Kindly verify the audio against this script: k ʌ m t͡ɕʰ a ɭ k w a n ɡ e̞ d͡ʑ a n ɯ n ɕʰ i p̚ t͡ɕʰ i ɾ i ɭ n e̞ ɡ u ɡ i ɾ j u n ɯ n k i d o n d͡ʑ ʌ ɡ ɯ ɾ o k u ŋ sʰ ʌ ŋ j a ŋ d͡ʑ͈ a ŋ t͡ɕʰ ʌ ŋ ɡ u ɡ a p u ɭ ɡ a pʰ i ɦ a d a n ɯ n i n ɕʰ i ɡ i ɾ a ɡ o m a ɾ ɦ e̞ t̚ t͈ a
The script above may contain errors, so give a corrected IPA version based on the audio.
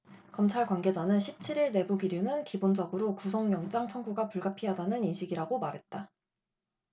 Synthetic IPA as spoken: k ʌ m t͡ɕʰ a ɭ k w a n ɡ e̞ d͡ʑ a n ɯ n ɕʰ i p̚ t͡ɕʰ i ɾ i ɭ n e̞ b u ɡ i ɾ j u n ɯ n k i b o n d͡ʑ ʌ ɡ ɯ ɾ o k u sʰ ʌ ŋ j ʌ ŋ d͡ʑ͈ a ŋ t͡ɕʰ ʌ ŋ ɡ u ɡ a p u ɭ ɡ a pʰ i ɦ a d a n ɯ n i n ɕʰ i ɡ i ɾ a ɡ o m a ɾ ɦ e̞ t̚ t͈ a